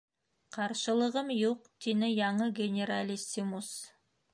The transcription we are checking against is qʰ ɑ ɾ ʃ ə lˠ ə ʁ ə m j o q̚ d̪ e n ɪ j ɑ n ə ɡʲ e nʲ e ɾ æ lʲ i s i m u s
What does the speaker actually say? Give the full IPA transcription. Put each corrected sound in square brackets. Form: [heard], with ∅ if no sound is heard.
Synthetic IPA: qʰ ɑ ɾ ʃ ə lˠ ə ʁ ə m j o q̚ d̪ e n ɪ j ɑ [ɴ] ə ɡʲ e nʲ e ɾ [a] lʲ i s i m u s